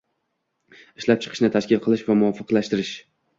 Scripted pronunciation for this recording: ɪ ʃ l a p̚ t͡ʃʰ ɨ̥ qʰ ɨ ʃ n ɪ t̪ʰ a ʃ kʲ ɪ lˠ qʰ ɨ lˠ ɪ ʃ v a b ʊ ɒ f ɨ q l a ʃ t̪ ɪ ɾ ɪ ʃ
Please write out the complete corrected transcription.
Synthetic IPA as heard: ɪ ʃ l a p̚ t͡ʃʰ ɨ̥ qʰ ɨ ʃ n ɪ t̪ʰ a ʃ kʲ ɪ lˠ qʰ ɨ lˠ ɪ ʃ v a m ʊ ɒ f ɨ q l a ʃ t̪ ɪ ɾ ɪ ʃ

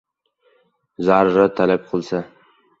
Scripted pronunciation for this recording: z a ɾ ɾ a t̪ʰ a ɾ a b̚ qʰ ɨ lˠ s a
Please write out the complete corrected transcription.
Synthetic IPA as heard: z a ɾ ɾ a t̪ʰ a l a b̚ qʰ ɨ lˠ s a

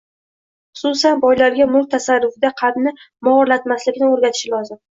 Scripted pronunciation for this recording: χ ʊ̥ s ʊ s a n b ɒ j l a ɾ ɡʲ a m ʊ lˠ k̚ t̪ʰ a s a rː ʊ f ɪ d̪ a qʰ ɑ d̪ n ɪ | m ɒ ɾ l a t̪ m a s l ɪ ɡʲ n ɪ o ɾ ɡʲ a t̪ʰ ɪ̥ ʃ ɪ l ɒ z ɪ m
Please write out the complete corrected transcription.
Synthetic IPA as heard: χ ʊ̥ s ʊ s a n b ɒ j l a ɾ ɡʲ a m ʊ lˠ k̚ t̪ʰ a s a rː ʊ f ɪ d̪ a qʰ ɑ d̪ n ɪ | m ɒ ɾ l a t̪ m a s l ɪ kʲ n ɪ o ɾ ɡʲ a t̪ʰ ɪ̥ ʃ ɪ l ɒ z ɪ m

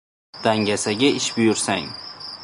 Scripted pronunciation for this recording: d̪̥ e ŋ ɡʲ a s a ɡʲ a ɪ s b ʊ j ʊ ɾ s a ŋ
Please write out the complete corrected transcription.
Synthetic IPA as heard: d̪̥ a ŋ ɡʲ a s a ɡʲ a ɪ ʃ b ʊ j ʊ ɾ s a ŋ

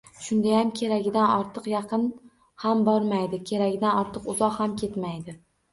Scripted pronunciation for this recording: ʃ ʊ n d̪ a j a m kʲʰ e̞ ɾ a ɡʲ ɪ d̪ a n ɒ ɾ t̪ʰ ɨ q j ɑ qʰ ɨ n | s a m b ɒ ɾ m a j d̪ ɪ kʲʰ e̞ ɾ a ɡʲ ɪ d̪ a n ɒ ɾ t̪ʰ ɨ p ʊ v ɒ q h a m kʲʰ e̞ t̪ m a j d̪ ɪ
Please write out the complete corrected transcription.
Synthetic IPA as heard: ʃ ʊ n d̪ a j a m kʲʰ e̞ ɾ a ɡʲ ɪ d̪ a n ɒ ɾ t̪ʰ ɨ q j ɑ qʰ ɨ n | h a m b ɒ ɾ m a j d̪ ɪ kʲʰ e̞ ɾ a ɡʲ ɪ d̪ a n ɒ ɾ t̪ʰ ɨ q ʊ z ɒ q h a m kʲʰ e̞ t̪ m a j d̪ ɪ

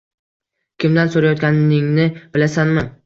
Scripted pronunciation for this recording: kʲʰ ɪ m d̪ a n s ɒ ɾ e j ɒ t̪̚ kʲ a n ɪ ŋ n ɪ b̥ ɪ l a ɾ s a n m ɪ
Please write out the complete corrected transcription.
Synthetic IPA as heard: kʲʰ ɪ m d̪ a n s o ɾ a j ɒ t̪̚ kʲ a n ɪ ŋ n ɪ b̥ ɪ l a s a n m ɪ

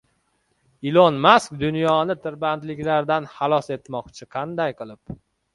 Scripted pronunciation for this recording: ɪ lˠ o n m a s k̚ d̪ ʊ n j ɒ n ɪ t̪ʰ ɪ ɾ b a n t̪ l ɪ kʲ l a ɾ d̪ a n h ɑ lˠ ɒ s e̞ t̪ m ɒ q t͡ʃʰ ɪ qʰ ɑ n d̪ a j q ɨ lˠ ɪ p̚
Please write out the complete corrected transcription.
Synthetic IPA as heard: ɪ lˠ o n m a s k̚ d̪ ʊ n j ɒ n ɪ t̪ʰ ɪ ɾ b a n t̪ l ɪ kʲ l a ɾ d̪ a n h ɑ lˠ ɒ s e̞ t̪ m ɒ q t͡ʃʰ ɪ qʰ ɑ n d̪ a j q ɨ lˠ ɪ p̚

